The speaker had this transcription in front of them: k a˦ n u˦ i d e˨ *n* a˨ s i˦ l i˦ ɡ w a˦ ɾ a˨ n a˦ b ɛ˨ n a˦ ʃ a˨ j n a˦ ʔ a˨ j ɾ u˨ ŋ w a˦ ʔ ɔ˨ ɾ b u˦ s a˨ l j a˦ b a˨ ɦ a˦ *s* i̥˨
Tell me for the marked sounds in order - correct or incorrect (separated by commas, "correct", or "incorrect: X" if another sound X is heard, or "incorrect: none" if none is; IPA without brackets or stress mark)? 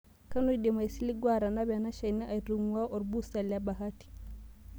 incorrect: m, incorrect: t